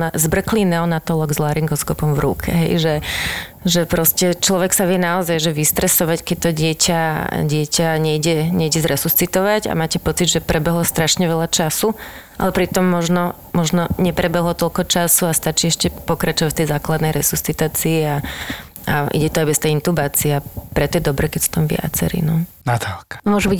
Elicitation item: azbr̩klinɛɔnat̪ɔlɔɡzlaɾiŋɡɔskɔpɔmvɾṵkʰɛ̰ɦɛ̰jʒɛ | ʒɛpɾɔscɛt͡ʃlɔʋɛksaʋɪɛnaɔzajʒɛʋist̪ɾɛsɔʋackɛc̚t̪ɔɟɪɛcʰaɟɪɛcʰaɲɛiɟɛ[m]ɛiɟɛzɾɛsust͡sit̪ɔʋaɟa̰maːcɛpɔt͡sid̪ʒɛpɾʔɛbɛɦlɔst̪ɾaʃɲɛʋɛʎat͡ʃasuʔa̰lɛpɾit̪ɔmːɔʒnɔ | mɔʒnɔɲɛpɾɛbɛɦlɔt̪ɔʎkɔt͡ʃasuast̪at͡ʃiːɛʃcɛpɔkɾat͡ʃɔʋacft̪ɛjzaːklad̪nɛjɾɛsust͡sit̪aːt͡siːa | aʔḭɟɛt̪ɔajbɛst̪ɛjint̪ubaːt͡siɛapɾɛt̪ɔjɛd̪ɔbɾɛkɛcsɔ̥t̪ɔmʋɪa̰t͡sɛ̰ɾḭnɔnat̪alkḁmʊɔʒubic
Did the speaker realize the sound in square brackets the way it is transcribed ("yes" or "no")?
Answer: no